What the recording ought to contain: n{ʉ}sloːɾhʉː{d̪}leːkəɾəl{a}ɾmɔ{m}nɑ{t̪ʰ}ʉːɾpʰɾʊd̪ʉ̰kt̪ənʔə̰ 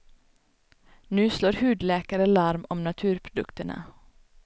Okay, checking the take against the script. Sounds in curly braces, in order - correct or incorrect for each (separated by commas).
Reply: incorrect, correct, incorrect, correct, correct